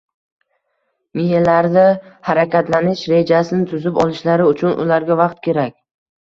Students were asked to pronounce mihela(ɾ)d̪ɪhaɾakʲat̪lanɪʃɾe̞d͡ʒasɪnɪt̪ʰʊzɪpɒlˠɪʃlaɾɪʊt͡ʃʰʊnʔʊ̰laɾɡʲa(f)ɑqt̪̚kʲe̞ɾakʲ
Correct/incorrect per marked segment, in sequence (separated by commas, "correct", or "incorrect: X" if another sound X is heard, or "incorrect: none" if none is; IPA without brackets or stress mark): correct, incorrect: v